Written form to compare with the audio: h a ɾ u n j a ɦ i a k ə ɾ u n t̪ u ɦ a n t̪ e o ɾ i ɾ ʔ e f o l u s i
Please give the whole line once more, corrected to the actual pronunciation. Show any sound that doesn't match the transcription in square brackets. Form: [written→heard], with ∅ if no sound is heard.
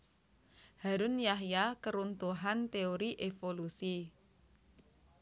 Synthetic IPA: h a ɾ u n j a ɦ [i→j] a k ə ɾ u n t̪ u ɦ a n t̪ e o ɾ i [ɾ→∅] ʔ e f o l u s i